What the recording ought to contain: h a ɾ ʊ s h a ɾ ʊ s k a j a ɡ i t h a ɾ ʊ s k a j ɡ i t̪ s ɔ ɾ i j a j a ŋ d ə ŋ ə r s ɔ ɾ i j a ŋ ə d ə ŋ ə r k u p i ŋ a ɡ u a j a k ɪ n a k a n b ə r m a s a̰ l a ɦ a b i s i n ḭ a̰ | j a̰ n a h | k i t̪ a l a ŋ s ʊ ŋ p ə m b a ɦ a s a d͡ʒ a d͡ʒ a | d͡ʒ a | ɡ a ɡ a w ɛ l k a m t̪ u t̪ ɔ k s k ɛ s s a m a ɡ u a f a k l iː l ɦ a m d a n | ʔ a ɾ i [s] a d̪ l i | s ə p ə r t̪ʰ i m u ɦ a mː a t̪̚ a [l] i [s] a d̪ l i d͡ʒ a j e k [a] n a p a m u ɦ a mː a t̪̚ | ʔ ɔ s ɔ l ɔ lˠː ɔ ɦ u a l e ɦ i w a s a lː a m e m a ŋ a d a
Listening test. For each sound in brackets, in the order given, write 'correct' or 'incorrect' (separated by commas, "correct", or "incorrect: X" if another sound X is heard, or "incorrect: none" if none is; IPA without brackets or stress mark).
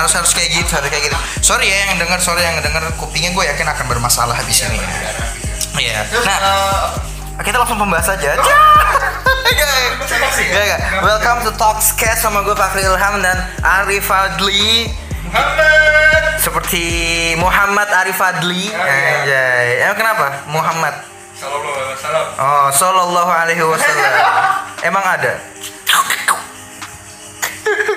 incorrect: f, incorrect: ɾ, incorrect: f, incorrect: ə